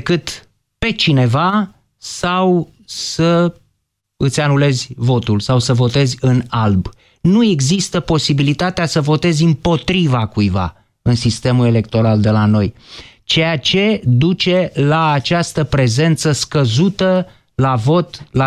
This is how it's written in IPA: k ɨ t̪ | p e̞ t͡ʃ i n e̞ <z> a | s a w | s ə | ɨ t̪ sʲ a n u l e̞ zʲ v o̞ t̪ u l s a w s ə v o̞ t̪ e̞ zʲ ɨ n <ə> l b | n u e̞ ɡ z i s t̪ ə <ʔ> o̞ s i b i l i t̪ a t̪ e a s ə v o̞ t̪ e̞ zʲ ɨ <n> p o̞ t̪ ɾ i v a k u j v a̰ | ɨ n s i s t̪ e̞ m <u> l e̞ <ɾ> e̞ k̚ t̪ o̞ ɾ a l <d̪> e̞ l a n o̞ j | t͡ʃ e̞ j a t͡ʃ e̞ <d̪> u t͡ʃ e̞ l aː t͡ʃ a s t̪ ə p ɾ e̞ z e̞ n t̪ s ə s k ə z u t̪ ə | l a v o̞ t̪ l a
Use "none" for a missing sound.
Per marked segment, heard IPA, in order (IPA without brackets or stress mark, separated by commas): v, a, p, m, u, l, d̪, d̪